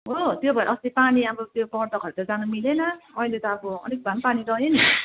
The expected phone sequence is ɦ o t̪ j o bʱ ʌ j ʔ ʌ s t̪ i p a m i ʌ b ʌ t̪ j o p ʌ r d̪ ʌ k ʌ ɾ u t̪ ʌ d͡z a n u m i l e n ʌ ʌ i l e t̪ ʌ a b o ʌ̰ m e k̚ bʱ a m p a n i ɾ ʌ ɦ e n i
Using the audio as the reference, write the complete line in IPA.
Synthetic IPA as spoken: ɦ o t̪ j o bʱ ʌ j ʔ ʌ s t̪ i p a n i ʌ b ʌ t̪ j o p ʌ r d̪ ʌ k ʌ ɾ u t̪ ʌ d͡z a n u m i l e n ʌ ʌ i l e t̪ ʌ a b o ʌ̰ n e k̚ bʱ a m p a n i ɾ ʌ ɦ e n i

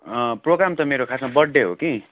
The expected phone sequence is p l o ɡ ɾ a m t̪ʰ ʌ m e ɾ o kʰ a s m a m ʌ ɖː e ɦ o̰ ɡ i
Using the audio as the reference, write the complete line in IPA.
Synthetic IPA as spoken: p r o ɡ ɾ a m t̪ ʌ m e ɾ o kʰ a s m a b ʌ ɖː e ɦ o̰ k i

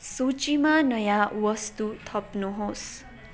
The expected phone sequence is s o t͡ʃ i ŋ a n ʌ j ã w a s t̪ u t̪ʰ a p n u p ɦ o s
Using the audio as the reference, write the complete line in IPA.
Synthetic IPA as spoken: s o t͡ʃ i m a n ʌ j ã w ʌ s t̪ u t̪ʰ ʌ p n u ɦ o s

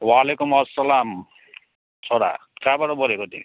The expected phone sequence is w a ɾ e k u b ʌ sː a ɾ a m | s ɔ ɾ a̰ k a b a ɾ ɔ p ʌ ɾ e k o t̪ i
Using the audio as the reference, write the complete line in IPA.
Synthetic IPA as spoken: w a l e k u m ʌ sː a l a m | s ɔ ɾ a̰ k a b a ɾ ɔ b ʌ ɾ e k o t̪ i

